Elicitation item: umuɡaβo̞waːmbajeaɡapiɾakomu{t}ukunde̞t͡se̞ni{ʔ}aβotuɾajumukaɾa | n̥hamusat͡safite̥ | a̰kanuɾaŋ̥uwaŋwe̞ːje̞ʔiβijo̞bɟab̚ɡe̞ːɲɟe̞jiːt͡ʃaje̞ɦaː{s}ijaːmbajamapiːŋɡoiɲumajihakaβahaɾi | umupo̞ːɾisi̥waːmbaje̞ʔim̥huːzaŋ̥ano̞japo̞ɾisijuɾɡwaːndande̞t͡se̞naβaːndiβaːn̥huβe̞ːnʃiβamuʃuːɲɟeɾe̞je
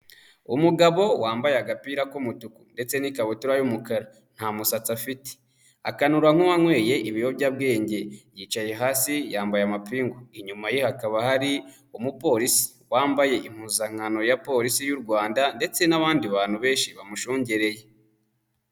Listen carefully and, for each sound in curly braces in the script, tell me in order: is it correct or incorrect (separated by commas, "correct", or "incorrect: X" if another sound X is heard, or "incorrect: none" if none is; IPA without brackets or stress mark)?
correct, incorrect: k, correct